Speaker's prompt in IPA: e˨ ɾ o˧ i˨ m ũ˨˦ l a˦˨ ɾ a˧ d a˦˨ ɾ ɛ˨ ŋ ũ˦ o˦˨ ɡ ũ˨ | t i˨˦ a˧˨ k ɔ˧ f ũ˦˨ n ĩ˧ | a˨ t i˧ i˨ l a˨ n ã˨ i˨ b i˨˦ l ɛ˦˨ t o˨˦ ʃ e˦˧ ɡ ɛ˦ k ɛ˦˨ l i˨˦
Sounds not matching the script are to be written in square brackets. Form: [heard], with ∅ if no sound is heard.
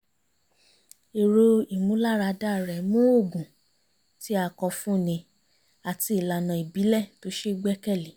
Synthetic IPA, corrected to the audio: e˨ ɾ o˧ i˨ m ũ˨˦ l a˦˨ ɾ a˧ d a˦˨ ɾ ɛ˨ [m] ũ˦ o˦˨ ɡ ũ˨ | t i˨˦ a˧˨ k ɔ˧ f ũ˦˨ n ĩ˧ | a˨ t i˧ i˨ l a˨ n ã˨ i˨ b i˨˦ l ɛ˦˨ t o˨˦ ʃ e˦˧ [ɡ͡b] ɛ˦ k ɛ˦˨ l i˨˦